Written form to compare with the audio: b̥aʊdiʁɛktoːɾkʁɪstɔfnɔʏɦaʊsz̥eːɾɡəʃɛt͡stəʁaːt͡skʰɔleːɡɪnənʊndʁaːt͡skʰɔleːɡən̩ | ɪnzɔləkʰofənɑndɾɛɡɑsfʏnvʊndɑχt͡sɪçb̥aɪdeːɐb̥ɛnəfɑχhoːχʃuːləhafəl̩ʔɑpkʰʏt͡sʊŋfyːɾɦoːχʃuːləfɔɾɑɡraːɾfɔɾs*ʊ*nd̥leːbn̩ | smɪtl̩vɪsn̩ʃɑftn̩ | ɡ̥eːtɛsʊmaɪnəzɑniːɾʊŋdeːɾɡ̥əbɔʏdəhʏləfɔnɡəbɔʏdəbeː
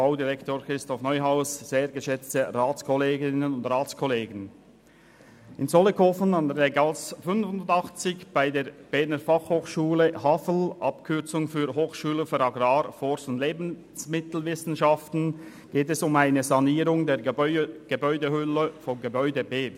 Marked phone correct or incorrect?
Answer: correct